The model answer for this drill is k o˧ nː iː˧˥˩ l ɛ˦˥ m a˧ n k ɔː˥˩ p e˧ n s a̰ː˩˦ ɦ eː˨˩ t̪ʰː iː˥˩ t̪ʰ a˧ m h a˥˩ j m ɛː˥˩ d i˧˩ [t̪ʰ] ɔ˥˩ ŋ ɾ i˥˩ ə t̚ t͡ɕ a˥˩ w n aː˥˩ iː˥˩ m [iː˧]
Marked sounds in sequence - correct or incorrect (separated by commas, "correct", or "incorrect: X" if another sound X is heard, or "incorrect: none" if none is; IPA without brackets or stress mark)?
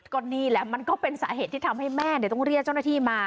incorrect: t̪, incorrect: aː˧